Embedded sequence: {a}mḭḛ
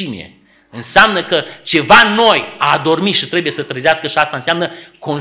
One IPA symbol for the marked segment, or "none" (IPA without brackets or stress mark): i